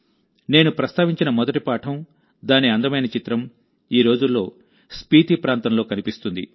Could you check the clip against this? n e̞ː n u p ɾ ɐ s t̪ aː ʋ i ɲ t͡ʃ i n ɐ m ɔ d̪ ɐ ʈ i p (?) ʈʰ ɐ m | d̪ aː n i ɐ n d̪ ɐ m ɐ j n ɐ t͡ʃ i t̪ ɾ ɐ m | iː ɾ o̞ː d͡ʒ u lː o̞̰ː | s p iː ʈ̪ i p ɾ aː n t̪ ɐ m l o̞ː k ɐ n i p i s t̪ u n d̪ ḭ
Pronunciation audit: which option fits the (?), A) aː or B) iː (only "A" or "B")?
A